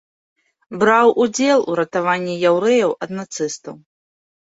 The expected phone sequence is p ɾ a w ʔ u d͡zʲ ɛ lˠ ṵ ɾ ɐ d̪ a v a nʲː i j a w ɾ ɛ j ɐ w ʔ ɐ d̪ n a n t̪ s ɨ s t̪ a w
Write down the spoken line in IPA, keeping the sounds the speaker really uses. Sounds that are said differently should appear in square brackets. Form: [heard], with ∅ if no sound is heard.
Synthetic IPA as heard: [b] ɾ a w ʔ u d͡zʲ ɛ lˠ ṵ ɾ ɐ [t̪] a v a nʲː i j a w ɾ ɛ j ɐ w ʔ ɐ d̪ n a [∅] t̪ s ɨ s t̪ [ɐ] w